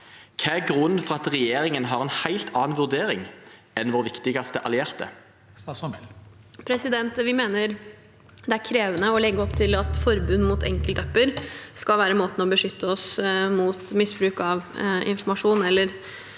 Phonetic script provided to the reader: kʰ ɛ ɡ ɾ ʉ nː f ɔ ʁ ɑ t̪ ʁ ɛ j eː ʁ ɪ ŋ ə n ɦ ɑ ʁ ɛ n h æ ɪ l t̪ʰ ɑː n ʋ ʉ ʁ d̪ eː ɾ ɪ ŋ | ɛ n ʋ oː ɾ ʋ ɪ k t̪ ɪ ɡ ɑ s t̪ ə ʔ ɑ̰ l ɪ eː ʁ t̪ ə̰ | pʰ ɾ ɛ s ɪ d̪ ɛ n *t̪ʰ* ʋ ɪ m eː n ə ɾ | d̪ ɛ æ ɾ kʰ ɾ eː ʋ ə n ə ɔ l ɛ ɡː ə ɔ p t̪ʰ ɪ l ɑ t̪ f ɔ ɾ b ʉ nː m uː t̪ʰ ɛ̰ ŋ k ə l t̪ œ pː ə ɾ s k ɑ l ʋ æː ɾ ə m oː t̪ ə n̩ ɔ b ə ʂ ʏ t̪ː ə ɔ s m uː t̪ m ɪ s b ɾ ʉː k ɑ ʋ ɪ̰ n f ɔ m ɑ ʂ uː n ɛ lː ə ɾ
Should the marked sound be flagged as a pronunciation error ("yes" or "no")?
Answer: yes